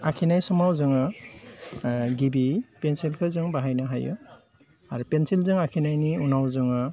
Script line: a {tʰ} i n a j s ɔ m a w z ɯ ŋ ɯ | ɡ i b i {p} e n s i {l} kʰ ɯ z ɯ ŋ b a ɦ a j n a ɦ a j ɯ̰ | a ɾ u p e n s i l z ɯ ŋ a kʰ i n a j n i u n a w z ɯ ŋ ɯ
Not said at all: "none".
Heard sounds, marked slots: kʰ, p, l

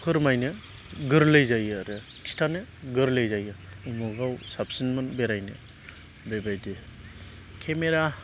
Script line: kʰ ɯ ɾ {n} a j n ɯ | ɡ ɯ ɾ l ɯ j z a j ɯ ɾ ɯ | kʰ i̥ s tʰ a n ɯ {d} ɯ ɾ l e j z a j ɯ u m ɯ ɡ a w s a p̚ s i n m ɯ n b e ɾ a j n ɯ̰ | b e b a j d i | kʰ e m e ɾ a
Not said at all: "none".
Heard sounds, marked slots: m, ɡ

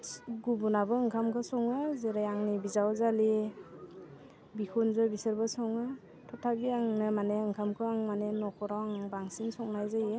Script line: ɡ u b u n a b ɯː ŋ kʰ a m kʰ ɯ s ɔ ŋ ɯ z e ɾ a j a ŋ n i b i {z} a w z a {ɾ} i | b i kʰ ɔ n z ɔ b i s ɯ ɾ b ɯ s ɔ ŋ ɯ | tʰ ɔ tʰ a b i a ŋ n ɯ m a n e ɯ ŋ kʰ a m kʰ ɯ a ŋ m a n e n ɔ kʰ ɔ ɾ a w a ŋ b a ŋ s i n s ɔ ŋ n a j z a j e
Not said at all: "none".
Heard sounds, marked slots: z, l

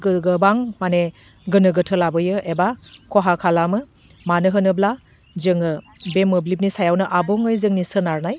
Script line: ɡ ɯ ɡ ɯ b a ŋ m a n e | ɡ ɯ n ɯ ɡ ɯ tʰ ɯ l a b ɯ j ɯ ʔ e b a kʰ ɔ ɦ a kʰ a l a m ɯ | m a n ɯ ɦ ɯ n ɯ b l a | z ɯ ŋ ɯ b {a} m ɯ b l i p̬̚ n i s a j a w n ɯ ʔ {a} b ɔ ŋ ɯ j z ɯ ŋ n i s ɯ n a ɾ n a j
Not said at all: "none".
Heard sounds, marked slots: e, a

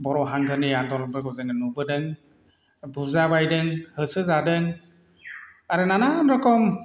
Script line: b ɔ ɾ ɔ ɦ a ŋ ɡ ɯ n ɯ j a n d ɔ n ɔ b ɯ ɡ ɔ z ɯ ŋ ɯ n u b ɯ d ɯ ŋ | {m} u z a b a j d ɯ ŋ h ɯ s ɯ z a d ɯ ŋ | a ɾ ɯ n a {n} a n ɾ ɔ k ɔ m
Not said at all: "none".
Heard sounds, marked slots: b, n

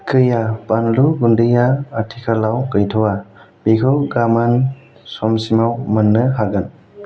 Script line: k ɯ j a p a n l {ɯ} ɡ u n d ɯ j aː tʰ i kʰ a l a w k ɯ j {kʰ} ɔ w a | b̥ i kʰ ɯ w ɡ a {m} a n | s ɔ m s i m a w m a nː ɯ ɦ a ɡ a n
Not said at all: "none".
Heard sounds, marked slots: u, tʰ, m

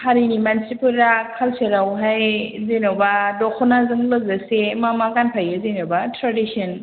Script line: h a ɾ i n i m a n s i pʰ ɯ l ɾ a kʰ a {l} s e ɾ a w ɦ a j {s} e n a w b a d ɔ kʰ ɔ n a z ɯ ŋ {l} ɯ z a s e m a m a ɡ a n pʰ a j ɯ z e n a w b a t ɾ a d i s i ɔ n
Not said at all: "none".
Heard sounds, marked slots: l, z, l

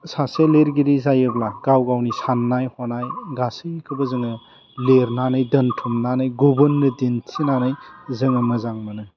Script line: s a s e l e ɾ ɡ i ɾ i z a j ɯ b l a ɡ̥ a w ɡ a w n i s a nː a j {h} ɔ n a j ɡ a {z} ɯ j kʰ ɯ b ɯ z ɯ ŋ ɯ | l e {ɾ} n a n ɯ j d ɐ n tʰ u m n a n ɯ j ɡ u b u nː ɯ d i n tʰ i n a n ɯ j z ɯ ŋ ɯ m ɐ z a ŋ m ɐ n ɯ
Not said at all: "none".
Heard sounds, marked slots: h, s, ɾ

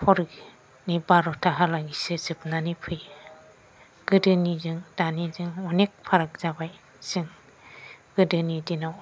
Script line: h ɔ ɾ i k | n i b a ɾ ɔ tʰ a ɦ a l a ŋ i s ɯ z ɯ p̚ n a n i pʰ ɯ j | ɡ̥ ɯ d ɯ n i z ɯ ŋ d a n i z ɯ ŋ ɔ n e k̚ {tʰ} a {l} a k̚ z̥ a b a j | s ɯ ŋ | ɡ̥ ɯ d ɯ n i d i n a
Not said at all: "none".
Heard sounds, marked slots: pʰ, ɾ

